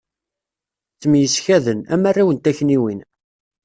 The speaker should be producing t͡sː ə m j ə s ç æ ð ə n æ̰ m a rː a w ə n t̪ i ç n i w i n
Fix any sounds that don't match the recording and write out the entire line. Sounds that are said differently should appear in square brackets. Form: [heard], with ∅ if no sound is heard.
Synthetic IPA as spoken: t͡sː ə m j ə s ç æ ð ə n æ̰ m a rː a w ə n t̪ [æ] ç n i w i n